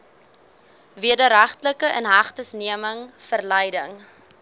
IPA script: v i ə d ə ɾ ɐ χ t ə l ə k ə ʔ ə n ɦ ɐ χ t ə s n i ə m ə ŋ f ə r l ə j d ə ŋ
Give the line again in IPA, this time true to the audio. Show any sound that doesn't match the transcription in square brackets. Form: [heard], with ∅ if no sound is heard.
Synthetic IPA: v i ə d ə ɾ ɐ χ t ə l ə k ə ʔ ə n ɦ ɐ χ t ə s n i ə m ə ŋ f ə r l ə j d ə ŋ